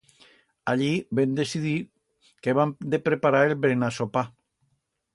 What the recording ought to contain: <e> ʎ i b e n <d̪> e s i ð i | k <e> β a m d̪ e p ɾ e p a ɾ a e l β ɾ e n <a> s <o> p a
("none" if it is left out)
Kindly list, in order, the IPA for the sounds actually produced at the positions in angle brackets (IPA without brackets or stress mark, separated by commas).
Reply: a, d̪, e, a, o